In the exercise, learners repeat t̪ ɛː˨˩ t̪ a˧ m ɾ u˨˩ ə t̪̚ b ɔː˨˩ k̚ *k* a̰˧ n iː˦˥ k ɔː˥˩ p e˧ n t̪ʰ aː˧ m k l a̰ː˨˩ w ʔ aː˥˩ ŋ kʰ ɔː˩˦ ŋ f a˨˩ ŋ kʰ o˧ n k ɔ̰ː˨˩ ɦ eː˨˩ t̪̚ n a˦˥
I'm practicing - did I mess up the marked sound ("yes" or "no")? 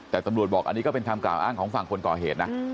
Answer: yes